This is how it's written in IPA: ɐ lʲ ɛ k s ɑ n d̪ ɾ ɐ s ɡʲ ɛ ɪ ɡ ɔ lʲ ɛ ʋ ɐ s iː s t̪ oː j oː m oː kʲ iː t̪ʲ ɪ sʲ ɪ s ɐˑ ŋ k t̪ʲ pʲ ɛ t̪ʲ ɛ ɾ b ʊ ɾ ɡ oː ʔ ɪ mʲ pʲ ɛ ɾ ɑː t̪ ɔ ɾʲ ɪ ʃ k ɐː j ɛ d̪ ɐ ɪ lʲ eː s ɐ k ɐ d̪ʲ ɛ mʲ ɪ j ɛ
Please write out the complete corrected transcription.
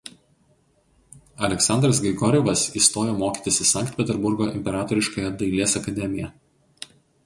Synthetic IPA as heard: ɐ lʲ ɛ k s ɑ n d̪ ɾ ɐ s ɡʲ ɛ ɪ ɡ ɔ ɾʲ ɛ ʋ ɐ s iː s t̪ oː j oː m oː kʲ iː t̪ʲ ɪ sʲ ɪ s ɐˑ ŋ k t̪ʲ pʲ ɛ t̪ʲ ɛ ɾ b ʊ ɾ ɡ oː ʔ ɪ mʲ pʲ ɛ ɾ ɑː t̪ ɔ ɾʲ ɪ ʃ k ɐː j ɛ d̪ ɐ ɪ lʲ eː s ɐ k ɐ d̪ʲ ɛ mʲ ɪ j ɛ